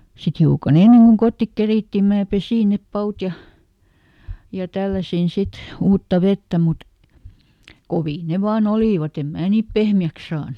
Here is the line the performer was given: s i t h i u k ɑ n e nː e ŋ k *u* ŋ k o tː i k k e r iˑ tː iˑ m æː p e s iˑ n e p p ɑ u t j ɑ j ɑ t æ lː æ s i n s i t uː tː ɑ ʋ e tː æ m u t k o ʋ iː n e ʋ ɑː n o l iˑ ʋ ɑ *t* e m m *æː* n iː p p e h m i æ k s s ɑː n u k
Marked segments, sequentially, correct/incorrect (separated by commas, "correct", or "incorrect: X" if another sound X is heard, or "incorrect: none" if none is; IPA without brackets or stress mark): correct, correct, correct